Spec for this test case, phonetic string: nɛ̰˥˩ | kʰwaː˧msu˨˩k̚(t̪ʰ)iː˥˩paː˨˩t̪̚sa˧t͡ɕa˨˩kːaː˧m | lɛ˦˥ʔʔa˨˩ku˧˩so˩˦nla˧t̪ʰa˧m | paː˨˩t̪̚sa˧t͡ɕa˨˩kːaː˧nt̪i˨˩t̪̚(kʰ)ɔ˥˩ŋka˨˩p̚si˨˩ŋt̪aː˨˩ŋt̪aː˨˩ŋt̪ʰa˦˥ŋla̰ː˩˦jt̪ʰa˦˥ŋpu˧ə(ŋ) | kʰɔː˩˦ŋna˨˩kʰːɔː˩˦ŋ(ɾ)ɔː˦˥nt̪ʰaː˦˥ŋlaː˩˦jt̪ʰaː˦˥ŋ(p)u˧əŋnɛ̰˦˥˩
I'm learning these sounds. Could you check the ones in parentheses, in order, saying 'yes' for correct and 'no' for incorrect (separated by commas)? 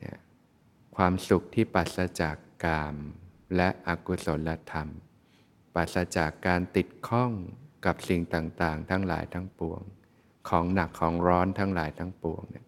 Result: yes, yes, yes, yes, yes